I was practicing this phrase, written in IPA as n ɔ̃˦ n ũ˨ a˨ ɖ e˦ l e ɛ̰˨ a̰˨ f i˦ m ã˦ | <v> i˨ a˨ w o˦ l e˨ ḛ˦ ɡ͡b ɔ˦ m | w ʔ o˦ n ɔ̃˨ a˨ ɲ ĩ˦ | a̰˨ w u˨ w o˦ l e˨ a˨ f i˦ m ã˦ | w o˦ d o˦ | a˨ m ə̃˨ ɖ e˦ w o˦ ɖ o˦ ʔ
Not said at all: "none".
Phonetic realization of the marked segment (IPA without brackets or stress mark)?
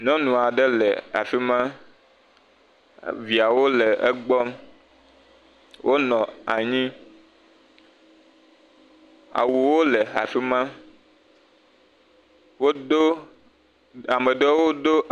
v